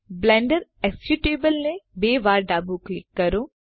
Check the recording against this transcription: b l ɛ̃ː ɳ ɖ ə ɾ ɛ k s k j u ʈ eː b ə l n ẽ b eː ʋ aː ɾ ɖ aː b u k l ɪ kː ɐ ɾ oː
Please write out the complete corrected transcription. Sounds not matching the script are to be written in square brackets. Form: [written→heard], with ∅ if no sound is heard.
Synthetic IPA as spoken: b l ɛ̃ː ɳ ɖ ə ɾ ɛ k s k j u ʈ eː b ə l n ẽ b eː ʋ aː ɾ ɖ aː b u k l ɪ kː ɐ ɾ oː

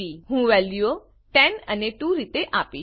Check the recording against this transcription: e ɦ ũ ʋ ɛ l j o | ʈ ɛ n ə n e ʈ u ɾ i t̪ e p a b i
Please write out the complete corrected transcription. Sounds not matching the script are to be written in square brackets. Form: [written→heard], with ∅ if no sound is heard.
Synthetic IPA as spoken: [e→i] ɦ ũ ʋ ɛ l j o | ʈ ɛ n ə n e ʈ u ɾ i t̪ e [p→ʔ] a [b→p] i

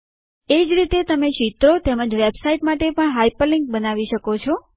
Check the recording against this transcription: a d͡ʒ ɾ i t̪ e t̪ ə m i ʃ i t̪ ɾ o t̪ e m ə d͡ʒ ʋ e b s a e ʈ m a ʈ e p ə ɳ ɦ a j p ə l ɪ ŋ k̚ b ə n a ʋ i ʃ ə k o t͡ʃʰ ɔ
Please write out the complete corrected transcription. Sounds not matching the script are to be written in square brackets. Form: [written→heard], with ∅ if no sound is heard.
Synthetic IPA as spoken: [a→e] d͡ʒ ɾ i t̪ e t̪ ə m [i→e] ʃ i t̪ ɾ o t̪ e m ə d͡ʒ ʋ e b s a [e→i] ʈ m a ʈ e p ə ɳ ɦ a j p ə l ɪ ŋ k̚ b ə n a ʋ i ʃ ə k o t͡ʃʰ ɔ

